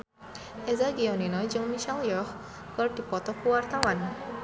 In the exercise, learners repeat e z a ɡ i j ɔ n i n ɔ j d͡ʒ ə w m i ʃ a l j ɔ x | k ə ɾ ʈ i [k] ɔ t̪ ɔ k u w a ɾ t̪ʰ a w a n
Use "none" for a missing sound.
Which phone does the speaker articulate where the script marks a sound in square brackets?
p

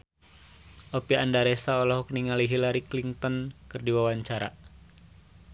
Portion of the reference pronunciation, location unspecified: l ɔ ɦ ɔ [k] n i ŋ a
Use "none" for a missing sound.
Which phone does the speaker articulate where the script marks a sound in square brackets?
k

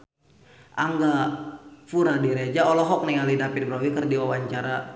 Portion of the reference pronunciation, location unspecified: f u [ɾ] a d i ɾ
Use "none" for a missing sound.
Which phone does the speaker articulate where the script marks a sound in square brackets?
ɾ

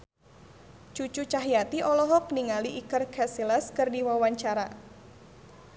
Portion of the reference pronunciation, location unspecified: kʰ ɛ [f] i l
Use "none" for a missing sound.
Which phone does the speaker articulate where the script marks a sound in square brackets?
s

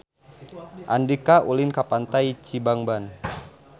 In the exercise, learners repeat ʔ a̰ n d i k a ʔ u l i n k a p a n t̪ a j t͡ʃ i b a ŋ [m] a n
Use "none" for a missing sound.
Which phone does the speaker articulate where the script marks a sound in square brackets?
b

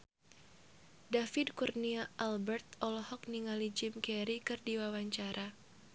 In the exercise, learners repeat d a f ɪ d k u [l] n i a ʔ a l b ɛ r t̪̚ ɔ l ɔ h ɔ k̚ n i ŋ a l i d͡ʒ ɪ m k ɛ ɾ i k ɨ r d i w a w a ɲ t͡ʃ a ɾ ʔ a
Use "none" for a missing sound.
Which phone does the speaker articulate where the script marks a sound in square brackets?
r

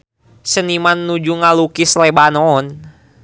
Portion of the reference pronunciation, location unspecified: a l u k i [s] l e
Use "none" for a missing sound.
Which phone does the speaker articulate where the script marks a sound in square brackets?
s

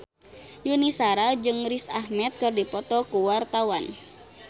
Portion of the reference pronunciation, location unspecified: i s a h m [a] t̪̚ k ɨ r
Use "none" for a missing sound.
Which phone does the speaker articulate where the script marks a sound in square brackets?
ɛ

